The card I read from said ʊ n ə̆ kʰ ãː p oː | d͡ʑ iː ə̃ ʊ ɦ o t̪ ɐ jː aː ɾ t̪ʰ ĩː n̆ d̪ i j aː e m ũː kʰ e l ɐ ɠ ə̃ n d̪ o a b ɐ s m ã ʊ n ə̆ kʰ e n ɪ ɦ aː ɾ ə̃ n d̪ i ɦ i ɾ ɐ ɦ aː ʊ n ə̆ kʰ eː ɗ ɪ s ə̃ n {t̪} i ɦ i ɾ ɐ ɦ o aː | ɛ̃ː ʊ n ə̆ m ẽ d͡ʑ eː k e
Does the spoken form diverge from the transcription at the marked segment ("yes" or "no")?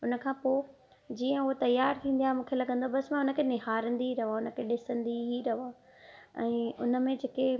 yes